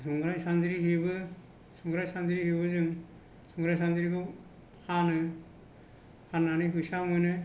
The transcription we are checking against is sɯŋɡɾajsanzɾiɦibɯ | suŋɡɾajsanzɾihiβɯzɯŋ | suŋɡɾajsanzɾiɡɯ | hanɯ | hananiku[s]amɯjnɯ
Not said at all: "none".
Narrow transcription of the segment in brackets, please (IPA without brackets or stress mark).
s